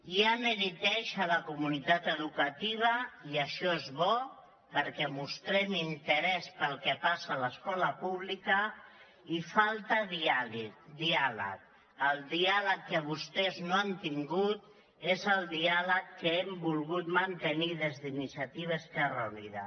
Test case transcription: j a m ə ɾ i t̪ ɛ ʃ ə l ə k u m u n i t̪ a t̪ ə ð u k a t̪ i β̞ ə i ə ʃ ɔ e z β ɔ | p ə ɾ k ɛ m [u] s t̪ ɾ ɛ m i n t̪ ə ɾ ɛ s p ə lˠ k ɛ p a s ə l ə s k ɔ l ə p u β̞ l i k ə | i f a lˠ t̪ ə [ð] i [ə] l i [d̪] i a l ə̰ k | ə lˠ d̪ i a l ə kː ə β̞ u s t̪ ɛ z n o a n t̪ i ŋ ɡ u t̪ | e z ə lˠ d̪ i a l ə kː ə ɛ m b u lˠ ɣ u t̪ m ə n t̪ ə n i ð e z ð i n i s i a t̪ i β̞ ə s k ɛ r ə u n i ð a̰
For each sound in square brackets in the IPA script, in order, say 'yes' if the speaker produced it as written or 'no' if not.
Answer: yes, yes, no, yes

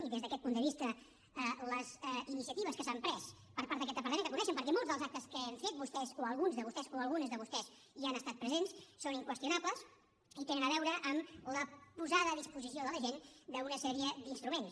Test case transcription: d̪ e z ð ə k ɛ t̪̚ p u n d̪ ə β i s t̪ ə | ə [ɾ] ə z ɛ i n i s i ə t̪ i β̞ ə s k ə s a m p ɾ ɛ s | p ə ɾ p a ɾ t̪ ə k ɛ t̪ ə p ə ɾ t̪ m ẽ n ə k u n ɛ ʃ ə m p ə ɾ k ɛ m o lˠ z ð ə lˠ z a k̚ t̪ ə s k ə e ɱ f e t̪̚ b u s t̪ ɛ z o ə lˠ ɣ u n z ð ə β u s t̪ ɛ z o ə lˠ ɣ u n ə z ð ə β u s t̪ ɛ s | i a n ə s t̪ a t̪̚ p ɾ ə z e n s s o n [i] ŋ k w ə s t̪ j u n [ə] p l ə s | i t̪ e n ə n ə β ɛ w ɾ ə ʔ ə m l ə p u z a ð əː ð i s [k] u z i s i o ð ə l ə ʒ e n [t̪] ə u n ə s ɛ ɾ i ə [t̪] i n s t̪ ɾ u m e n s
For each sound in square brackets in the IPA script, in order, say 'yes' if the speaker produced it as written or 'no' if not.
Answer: no, yes, no, no, no, no

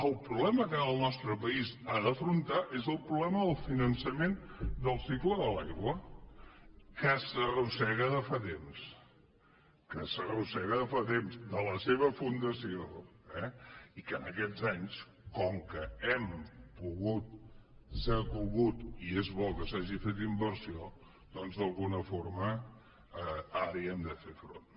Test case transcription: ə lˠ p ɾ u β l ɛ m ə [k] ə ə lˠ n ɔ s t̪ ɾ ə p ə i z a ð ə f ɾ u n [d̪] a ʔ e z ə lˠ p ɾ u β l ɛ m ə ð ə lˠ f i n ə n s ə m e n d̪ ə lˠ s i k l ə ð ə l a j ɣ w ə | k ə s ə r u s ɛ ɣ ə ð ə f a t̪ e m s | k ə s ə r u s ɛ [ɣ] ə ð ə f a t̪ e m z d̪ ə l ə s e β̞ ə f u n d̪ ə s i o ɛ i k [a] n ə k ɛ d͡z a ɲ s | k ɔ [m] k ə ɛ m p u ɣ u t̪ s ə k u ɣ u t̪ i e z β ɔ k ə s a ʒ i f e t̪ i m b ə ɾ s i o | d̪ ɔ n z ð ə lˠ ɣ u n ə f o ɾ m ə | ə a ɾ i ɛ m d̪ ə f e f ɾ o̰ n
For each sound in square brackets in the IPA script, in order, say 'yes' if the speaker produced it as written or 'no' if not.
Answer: yes, no, yes, no, no

